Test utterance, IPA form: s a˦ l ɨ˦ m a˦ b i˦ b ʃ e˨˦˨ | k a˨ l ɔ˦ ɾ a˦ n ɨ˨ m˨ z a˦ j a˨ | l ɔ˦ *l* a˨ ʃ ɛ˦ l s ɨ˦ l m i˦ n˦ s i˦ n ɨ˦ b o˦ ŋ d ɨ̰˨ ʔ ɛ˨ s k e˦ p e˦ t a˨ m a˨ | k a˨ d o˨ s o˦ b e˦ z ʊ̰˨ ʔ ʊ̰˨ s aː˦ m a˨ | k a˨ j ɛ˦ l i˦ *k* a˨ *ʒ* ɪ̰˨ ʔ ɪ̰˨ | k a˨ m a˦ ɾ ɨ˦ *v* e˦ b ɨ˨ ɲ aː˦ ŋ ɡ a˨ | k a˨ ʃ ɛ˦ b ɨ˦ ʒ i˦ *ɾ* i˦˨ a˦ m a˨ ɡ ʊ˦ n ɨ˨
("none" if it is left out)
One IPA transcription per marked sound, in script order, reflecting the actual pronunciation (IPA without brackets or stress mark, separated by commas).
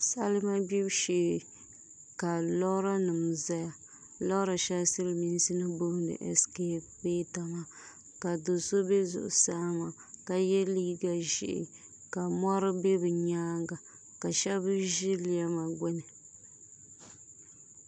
ɾ, ɡ, ʒ, b, l